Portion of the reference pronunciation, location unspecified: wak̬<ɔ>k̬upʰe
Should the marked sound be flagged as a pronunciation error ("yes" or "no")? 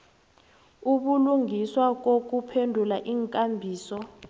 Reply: yes